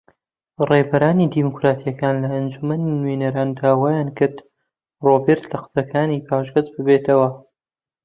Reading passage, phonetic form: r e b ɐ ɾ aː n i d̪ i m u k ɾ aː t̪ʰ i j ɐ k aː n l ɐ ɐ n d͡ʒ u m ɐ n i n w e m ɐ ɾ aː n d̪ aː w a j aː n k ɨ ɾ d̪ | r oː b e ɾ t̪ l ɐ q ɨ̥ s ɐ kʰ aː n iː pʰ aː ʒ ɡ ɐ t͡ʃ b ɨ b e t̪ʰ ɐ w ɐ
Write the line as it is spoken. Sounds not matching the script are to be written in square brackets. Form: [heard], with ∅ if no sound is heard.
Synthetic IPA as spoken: r e b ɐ ɾ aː n i d̪ i m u k ɾ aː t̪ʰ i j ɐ k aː n l ɐ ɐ n d͡ʒ u m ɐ n i n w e [n] ɐ ɾ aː n d̪ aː w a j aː n k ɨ ɾ d̪ | r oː b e ɾ t̪ l ɐ q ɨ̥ s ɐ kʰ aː n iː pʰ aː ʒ ɡ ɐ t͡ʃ b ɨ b e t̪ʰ ɐ w ɐ